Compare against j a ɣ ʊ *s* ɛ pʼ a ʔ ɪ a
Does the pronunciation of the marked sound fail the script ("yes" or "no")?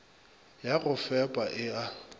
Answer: yes